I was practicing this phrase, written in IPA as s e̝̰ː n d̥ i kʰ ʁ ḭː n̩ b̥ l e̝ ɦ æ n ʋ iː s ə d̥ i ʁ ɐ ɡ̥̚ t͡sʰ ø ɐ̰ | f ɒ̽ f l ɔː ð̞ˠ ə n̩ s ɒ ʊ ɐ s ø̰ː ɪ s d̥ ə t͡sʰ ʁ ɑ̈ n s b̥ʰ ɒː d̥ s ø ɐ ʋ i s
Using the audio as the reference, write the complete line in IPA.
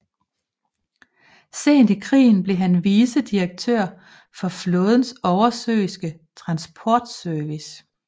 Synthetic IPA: s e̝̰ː n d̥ i kʰ ʁ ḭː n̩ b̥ l e̝ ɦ æ n ʋ iː s ə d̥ i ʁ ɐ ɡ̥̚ t͡sʰ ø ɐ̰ | f ɒ̽ f l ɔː ð̞ˠ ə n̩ s ɒ ʊ ɐ s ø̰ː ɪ s ɡ̥ ə t͡sʰ ʁ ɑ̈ n s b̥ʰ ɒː d̥ s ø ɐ ʋ i s

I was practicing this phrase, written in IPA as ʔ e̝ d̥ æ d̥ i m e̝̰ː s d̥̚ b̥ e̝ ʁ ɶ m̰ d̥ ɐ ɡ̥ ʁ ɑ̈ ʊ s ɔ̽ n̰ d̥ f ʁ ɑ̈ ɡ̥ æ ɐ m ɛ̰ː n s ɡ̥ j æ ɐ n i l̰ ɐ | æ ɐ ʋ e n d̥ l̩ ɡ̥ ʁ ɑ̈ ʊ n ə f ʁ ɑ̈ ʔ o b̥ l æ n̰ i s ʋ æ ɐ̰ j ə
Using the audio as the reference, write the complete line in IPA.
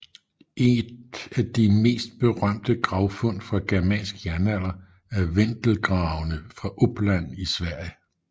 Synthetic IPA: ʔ e̝ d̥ æ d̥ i m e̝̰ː s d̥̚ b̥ e̝ ʁ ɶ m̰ d̥ ə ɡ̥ ʁ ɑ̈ ʊ f ɔ̽ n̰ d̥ f ʁ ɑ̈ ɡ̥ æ ɐ m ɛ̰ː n s ɡ̥ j æ ɐ n æ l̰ ɐ | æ ɐ ʋ e n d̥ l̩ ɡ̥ ʁ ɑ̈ ʊ n ə f ʁ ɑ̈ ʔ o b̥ l æ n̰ i s ʋ æ ɐ̰ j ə

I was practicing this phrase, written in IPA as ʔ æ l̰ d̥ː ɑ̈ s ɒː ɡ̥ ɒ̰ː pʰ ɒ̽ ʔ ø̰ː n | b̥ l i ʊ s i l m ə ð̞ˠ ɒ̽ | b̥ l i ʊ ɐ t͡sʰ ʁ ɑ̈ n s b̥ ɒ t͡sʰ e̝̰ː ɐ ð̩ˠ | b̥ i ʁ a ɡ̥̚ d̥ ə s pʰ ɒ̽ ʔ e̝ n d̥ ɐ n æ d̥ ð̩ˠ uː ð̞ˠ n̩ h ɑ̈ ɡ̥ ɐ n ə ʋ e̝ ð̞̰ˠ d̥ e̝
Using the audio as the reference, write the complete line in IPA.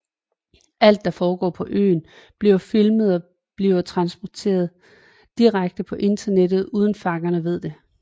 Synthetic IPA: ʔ æ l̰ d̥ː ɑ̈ f ɒː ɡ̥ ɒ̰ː pʰ ɒ̽ ʔ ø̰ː n | b̥ l i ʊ f i l m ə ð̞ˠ ɒ̽ | b̥ l i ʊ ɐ t͡sʰ ʁ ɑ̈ n s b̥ ɒ t͡sʰ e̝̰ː ɐ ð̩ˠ | d̥ i ʁ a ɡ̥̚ d̥ ə pʰ ɒ̽ ʔ e̝ n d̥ ɐ n e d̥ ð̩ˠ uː ð̞ˠ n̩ f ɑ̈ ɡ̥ ɐ n ə ʋ e̝ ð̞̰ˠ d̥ e̝

